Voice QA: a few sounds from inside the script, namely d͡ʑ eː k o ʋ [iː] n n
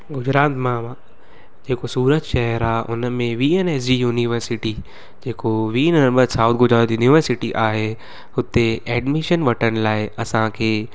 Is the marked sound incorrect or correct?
correct